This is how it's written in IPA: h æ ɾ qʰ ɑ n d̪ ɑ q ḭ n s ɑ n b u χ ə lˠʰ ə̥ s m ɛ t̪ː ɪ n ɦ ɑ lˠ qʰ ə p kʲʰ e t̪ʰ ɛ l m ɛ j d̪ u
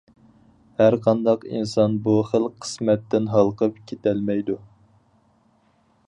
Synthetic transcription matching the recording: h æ ɾ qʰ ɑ n d̪ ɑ q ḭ n s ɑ n b u χ ə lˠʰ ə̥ s m ɛ t̪ː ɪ n ɦ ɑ lˠ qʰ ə p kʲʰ e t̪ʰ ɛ l m ɛ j d̪ u